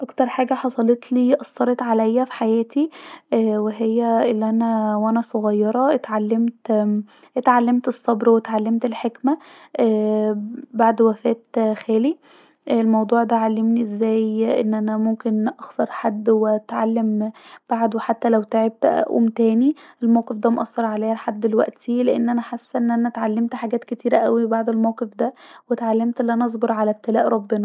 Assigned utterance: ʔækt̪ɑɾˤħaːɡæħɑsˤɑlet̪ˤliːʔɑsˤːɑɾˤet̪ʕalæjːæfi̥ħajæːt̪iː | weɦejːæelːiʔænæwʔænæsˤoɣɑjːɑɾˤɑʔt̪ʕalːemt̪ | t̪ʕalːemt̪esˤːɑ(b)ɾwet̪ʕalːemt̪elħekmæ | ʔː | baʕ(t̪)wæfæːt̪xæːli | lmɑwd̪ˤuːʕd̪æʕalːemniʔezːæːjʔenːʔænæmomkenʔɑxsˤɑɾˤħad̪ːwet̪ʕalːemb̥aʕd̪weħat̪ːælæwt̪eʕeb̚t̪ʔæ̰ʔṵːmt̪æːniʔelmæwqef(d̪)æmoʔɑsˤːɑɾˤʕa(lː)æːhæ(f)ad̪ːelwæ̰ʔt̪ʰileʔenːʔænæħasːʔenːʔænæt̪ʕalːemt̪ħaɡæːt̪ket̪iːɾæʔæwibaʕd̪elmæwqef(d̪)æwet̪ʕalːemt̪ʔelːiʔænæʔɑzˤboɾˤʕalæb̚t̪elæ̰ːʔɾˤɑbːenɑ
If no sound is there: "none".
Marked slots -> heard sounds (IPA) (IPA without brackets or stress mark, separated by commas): b, d̪, d̪, l, ħ, d̪